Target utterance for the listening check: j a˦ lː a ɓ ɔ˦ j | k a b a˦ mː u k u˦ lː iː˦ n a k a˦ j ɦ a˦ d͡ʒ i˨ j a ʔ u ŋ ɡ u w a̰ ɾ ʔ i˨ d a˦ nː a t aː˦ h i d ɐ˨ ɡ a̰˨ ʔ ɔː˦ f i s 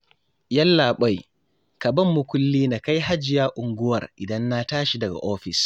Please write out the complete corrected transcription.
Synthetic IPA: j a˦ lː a ɓ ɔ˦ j | k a b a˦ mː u k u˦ lː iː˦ n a k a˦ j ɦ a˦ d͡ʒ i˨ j a ʔ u ŋ ɡ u w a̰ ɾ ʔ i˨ d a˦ nː a t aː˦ ʃ i d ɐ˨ ɡ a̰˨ ʔ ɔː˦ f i s

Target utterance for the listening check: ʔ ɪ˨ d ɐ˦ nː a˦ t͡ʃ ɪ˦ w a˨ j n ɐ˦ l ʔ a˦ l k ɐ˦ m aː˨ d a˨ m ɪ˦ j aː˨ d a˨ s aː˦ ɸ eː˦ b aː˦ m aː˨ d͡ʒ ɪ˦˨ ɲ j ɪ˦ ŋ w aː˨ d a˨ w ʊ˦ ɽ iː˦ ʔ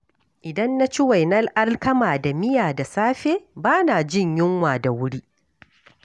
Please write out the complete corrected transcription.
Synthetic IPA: ʔ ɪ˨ d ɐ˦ nː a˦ t͡ʃ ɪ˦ w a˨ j n ɐ˦ l ʔ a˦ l k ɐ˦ m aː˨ d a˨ m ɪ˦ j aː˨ d a˨ s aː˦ ɸ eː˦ b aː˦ n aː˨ d͡ʒ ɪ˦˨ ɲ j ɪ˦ ŋ w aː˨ d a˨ w ʊ˦ ɽ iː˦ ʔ

